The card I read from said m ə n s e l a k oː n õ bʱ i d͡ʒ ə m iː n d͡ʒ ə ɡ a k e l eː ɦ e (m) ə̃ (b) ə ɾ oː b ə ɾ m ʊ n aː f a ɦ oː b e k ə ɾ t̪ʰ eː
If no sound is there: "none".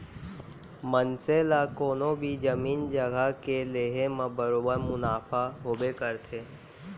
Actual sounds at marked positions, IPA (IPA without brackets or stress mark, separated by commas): m, b